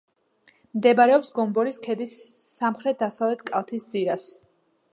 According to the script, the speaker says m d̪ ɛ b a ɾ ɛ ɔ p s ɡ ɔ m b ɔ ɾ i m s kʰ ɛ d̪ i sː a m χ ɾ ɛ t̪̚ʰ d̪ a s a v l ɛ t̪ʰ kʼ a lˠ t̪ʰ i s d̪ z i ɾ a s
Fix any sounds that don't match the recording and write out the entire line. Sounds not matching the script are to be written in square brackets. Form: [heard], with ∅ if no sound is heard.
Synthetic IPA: m d̪ ɛ b a ɾ ɛ ɔ p s ɡ ɔ m b ɔ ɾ i [∅] s kʰ ɛ d̪ i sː a m χ ɾ ɛ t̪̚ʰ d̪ a s a v l ɛ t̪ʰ kʼ a lˠ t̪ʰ i s d̪ z i ɾ a s